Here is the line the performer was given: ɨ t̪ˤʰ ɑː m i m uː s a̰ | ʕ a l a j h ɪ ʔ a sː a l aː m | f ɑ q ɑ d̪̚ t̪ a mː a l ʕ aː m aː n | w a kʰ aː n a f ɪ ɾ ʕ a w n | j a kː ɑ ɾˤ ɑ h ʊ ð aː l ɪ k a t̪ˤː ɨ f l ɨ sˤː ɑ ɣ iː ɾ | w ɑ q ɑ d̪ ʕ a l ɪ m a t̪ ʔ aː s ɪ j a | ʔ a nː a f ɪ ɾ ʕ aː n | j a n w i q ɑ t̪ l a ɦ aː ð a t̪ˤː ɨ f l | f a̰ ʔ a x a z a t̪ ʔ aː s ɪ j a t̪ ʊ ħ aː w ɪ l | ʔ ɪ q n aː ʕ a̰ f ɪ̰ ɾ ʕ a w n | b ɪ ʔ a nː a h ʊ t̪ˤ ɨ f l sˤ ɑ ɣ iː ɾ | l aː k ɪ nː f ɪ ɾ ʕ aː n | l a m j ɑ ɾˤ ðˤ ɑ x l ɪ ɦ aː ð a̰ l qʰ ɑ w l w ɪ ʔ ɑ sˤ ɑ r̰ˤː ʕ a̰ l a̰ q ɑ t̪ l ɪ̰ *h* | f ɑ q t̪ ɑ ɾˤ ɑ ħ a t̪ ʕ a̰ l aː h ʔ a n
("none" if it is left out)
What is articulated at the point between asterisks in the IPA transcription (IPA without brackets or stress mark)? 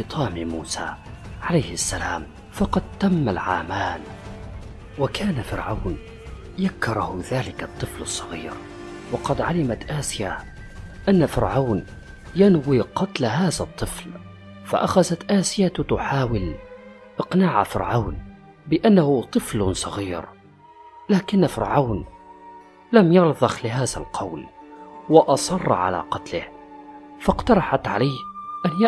h